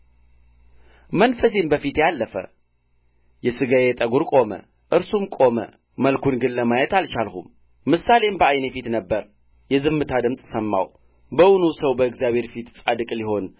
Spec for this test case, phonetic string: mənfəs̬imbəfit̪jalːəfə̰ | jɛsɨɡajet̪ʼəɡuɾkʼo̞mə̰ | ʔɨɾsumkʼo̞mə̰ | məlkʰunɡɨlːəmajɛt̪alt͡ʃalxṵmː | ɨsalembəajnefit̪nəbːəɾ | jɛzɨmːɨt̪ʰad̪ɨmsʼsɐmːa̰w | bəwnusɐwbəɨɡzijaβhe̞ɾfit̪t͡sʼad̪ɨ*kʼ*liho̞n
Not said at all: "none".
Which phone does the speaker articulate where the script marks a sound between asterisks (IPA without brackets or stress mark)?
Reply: kʼ